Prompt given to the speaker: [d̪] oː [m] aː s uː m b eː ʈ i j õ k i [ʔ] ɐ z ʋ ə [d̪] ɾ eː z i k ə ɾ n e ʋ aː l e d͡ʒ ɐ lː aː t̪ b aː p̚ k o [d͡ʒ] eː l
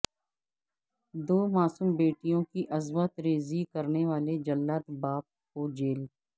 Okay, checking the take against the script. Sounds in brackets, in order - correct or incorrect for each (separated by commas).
correct, correct, correct, incorrect, correct